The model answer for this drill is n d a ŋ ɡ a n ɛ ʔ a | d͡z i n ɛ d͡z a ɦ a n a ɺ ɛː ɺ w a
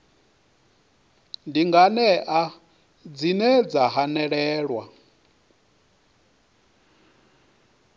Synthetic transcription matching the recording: n d i ŋ ɡ a n ɛ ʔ a | d͡z i n ɛ d͡z a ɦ a n ɛ ɺ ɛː ɺ w a